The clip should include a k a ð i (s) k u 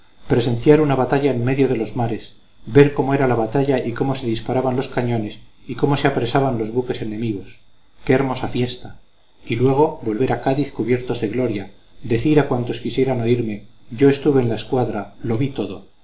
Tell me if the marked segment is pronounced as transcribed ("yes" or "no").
no